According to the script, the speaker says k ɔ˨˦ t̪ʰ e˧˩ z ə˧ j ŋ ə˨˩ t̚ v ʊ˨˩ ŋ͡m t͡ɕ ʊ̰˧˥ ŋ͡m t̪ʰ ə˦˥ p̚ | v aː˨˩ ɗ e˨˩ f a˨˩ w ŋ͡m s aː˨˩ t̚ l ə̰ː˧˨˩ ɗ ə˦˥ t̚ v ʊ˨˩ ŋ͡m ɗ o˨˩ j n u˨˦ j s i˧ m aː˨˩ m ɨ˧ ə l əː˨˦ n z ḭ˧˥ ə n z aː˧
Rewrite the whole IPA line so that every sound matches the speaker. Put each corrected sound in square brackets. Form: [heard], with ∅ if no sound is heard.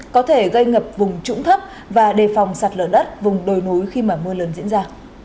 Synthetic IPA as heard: k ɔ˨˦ t̪ʰ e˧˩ [ɣ] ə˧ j ŋ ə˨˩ [p̚] v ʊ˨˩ ŋ͡m t͡ɕ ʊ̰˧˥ ŋ͡m t̪ʰ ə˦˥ p̚ | v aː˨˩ ɗ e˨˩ f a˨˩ w ŋ͡m s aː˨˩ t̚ l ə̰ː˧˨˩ ɗ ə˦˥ t̚ v ʊ˨˩ ŋ͡m ɗ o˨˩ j n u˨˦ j [x] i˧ m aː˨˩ m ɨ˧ ə l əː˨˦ n z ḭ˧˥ ə n z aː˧